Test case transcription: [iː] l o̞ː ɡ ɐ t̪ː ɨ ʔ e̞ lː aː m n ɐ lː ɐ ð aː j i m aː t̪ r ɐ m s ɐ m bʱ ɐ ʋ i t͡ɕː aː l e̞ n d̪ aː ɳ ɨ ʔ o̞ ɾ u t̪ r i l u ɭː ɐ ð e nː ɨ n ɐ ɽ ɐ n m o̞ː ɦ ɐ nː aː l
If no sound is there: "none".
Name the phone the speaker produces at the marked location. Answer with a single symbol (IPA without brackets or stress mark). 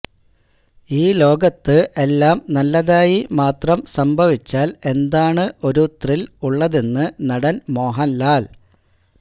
iː